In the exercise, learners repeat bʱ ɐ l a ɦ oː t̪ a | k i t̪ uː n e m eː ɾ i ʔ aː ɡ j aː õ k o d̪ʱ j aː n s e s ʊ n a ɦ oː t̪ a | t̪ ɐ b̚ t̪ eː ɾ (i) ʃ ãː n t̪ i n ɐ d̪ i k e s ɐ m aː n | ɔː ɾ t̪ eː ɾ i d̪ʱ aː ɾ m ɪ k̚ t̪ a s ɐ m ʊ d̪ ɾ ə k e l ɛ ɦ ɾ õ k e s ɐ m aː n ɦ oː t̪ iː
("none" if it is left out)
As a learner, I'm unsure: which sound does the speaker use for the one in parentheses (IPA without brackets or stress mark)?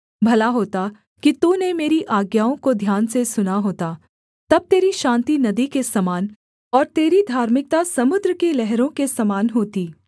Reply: i